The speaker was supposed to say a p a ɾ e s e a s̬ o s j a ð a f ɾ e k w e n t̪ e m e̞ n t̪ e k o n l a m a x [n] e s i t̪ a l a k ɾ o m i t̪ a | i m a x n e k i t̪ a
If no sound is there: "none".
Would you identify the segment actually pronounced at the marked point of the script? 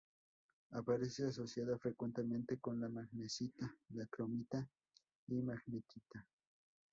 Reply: n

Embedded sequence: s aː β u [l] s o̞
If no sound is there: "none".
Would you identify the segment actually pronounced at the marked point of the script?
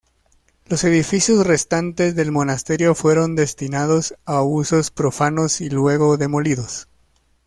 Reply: none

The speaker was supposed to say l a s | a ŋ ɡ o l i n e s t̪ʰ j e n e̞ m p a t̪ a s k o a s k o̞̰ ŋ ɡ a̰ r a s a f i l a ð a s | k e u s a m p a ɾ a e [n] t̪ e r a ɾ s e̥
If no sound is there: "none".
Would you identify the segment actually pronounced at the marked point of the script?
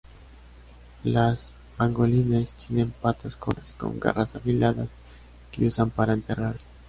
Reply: n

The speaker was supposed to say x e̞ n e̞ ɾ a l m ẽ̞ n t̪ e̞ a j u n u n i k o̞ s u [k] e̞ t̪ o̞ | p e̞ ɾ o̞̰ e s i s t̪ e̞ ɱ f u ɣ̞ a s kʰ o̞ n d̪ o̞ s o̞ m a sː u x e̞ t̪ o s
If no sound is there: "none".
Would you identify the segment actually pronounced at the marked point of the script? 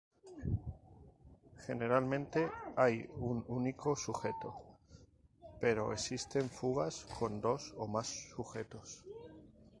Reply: x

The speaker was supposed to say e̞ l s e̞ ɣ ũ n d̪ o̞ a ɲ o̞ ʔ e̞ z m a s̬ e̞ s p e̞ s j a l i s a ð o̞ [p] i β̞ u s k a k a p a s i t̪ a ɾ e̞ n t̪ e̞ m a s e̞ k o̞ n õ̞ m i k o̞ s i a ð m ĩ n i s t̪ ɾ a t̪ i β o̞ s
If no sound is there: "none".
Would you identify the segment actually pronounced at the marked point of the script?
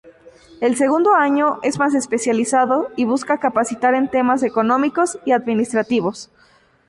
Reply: none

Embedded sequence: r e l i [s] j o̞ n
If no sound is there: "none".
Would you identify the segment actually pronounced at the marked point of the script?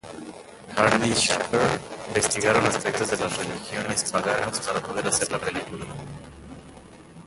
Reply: x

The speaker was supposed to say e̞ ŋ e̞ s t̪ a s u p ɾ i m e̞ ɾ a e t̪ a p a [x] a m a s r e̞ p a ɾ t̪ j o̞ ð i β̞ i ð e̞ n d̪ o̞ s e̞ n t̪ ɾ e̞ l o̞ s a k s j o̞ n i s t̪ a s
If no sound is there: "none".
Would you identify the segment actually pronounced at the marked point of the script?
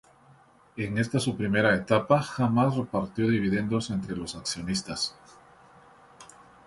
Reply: x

